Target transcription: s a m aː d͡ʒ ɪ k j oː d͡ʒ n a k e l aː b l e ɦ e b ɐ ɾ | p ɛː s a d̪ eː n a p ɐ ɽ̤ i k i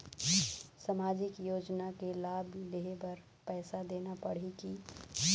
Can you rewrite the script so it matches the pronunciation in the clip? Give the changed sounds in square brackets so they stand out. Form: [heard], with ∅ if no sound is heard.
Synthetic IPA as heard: s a m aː d͡ʒ ɪ k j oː d͡ʒ n a k e l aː b l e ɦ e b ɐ ɾ | p ɛː s a d̪ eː n a p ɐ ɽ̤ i k i